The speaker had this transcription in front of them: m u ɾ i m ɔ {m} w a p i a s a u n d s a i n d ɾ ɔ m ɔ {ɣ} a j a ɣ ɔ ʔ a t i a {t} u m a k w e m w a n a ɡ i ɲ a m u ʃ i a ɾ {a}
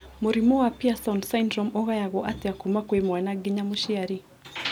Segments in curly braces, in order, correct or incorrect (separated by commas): incorrect, correct, incorrect, incorrect